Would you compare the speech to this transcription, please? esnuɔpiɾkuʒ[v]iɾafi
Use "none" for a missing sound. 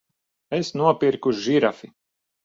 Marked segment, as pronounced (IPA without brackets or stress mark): ʒ